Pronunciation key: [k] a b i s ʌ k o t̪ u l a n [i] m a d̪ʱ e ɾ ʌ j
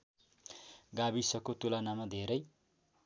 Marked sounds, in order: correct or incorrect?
incorrect, incorrect

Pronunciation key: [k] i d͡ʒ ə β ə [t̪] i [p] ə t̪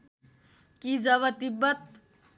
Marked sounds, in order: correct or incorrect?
correct, correct, incorrect

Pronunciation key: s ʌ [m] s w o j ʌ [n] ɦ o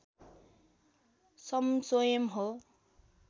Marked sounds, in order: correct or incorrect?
correct, incorrect

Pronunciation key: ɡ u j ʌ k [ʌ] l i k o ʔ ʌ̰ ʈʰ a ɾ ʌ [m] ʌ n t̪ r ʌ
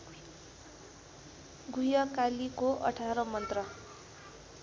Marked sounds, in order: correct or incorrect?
incorrect, correct

